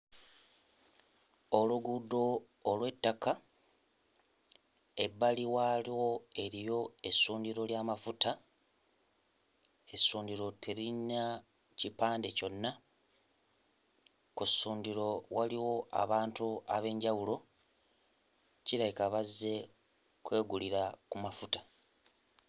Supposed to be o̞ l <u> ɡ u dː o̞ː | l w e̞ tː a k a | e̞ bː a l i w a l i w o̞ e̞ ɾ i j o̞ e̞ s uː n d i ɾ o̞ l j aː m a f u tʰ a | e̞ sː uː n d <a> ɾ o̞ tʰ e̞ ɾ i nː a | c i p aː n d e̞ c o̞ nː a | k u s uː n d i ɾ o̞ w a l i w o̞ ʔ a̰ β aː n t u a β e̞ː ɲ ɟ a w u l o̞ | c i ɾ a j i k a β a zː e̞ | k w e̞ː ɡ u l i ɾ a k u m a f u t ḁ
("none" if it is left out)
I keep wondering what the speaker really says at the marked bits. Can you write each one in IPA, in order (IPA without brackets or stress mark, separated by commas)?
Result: u, i